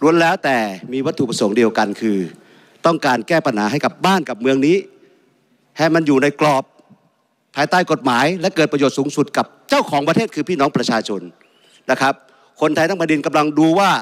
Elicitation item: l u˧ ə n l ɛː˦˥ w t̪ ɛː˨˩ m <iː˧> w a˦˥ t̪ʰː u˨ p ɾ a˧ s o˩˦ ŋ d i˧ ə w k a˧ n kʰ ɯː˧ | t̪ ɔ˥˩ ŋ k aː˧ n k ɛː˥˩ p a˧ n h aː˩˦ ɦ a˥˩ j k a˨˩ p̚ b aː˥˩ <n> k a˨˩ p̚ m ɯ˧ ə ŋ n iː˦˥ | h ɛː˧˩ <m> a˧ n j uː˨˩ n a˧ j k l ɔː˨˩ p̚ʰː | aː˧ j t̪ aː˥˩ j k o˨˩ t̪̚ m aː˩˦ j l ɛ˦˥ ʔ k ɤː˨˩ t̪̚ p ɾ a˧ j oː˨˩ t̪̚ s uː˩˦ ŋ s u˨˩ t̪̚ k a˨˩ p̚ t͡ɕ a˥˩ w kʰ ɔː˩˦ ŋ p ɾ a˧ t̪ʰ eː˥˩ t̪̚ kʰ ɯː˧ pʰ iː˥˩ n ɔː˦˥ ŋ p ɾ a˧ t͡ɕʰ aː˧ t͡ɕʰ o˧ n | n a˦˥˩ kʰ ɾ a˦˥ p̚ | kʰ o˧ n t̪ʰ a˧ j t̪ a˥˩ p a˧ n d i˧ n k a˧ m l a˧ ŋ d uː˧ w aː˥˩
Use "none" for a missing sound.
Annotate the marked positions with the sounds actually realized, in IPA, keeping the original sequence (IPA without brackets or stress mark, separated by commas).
iː˧, n, m